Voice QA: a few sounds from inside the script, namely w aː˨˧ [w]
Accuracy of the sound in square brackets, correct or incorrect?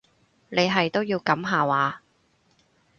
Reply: incorrect